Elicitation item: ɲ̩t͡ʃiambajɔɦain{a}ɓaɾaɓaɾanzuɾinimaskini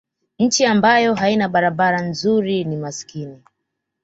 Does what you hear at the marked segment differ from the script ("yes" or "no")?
no